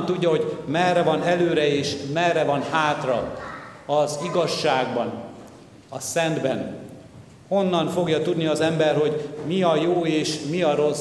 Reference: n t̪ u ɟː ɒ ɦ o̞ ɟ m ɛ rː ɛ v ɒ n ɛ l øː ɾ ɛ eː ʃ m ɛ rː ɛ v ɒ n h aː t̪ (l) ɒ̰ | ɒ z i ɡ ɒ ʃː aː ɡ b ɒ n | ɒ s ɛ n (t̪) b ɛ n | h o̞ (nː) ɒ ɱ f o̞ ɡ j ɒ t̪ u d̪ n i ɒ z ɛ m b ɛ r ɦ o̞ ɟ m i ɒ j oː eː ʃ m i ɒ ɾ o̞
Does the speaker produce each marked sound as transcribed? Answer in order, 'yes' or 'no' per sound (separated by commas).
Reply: no, no, yes